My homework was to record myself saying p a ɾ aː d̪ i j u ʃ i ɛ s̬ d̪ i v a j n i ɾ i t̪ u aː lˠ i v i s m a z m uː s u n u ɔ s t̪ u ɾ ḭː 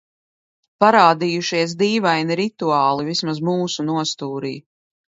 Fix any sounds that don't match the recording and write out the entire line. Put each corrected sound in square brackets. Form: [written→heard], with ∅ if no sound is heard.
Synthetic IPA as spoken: p a ɾ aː d̪ i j u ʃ i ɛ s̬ d̪ [i→iː] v a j n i ɾ i t̪ u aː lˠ i v i s m a z m uː s u n u ɔ s t̪ [u→uː] ɾ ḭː

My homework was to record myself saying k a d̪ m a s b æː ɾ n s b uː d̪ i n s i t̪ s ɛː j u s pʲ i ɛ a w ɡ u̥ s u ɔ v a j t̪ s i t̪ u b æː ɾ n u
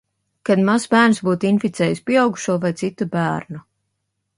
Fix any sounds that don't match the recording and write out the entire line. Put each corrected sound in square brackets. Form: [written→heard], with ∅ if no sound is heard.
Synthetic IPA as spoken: k a d̪ m a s b æː ɾ n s b uː [d̪→t̪] i n [s→f] i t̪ s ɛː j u s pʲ i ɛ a w ɡ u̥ [s→ʃ] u ɔ v a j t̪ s i t̪ u b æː ɾ n u

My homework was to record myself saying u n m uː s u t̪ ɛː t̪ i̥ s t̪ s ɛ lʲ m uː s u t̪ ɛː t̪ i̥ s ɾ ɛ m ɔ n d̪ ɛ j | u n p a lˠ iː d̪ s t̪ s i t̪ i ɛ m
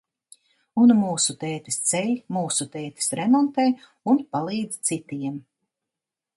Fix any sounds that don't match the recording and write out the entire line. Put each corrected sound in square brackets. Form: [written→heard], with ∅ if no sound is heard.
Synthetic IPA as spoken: u n m uː s u t̪ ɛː t̪ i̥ s t̪ s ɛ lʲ m uː s u t̪ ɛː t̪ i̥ s ɾ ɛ m ɔ n [d̪→t̪] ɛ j | u n p a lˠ iː d̪ [s→z] t̪ s i t̪ i ɛ m

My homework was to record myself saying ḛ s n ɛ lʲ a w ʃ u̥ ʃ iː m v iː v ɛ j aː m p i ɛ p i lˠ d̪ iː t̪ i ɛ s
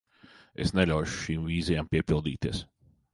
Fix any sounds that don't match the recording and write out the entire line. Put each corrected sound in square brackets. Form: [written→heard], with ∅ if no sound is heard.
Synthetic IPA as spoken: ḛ s n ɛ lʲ a w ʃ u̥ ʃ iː m v iː [v→z] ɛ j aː m p i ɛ p i lˠ d̪ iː t̪ i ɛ s

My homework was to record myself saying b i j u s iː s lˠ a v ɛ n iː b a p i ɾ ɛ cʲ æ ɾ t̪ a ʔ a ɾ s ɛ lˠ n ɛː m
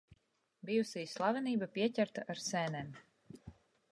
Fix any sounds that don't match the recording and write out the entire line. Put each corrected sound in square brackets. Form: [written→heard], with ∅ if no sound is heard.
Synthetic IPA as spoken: b i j u s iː s lˠ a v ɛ n iː b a p i [ɾ→∅] ɛ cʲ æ ɾ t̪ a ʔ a ɾ s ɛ [lˠ→∅] n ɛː m

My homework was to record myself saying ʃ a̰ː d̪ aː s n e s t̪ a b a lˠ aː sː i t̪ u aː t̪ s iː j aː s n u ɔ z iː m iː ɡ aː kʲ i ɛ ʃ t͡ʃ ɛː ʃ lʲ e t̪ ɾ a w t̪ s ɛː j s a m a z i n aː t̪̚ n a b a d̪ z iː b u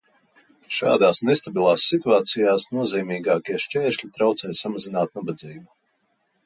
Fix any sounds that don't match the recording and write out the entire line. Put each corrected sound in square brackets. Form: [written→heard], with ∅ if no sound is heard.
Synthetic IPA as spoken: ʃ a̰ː d̪ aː s n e s t̪ a b [a→i] lˠ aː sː i t̪ u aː t̪ s [iː→i] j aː s n u ɔ z iː m iː ɡ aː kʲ i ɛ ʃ t͡ʃ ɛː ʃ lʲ [e→i] t̪ ɾ a w t̪ s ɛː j s a m a z i n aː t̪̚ n a b a d̪ z iː b u

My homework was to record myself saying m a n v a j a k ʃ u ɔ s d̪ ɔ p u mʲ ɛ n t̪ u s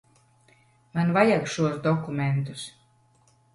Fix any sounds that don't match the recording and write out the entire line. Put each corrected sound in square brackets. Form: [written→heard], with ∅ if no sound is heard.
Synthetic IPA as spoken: m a n v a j a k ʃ u ɔ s d̪ ɔ [p→k] u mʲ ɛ n t̪ u s

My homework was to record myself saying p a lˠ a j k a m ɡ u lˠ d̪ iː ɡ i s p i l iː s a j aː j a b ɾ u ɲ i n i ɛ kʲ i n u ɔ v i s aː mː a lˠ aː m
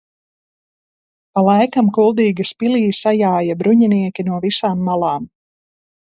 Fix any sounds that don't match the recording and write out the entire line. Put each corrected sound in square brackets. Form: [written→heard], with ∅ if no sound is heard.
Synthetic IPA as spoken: p a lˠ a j k a m [ɡ→k] u lˠ d̪ iː ɡ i s p i l iː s a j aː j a b ɾ u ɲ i n i ɛ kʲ i n u ɔ v i s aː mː a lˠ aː m

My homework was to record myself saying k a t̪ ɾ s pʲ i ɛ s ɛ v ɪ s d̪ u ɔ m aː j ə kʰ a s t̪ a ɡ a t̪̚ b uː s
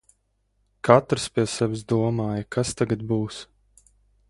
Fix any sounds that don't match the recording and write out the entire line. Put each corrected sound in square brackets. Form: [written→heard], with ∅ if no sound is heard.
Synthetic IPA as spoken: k a t̪ ɾ s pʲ i ɛ s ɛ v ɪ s d̪ u ɔ m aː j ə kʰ a s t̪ a ɡ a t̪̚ b uː s

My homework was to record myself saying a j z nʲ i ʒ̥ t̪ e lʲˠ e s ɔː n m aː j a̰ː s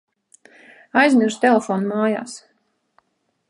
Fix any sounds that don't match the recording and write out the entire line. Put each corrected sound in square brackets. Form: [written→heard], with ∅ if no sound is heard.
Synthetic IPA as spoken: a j z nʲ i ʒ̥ t̪ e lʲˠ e [s→f] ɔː n m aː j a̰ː s

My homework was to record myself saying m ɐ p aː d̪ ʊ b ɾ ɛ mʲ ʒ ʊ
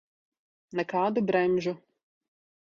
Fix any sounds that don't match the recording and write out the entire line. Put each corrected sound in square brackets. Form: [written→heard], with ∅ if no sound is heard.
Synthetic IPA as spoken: [m→n] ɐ [p→k] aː d̪ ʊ b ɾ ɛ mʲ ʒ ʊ

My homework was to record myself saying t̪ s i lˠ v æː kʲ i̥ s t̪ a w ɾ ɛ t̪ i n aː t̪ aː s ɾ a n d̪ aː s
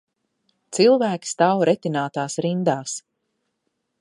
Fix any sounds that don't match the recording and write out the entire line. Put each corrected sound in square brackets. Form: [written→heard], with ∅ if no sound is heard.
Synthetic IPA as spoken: t̪ s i lˠ v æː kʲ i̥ s t̪ a w ɾ ɛ t̪ i n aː t̪ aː s ɾ [a→i] n d̪ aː s

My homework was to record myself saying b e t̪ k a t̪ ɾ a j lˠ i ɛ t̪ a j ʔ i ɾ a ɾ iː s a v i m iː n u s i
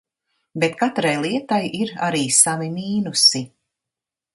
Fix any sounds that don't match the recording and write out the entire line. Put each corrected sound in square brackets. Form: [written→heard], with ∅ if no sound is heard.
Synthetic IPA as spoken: b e t̪ k a t̪ ɾ a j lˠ i ɛ t̪ a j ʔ i ɾ a ɾ iː s a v i m iː n u s i

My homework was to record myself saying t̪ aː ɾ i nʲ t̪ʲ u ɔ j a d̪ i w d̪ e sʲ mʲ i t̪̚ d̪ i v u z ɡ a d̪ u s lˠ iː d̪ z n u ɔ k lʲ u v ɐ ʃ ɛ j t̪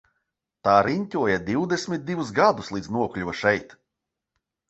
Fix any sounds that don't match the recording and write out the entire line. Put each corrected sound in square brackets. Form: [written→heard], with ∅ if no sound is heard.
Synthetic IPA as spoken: t̪ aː ɾ i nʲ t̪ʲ u ɔ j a d̪ i w d̪ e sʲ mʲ i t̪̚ d̪ i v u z ɡ a d̪ u s lˠ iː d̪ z n u ɔ k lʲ u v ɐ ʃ ɛ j t̪

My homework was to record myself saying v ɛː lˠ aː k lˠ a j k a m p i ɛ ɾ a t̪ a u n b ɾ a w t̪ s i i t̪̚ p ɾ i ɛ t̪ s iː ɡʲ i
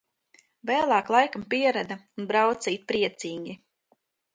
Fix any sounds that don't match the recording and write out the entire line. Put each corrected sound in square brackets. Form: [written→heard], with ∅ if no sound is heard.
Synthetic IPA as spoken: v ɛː lˠ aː k lˠ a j k a m p i ɛ ɾ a [t̪→d̪] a u n b ɾ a w t̪ s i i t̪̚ p ɾ i ɛ t̪ s iː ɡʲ i

